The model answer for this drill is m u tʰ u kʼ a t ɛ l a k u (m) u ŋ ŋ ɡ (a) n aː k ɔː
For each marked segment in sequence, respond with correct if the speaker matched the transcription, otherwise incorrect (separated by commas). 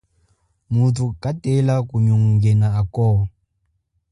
incorrect, incorrect